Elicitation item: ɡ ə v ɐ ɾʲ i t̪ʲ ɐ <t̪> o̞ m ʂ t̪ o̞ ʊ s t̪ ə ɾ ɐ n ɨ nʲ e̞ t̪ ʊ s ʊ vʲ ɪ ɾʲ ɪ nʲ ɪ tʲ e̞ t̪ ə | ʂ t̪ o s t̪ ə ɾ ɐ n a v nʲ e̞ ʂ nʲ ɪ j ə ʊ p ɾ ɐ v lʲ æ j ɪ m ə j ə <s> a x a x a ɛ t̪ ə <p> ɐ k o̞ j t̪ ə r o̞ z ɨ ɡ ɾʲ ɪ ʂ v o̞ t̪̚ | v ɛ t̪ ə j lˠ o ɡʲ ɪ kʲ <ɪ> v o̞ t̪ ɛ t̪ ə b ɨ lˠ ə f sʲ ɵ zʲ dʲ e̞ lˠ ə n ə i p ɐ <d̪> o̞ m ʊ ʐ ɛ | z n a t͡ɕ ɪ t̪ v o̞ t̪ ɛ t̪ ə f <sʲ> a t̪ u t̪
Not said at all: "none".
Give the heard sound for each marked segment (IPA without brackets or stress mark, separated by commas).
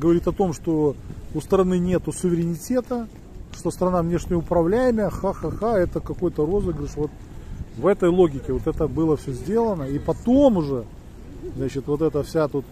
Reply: t̪, x, k, ɪ, t̪, sʲ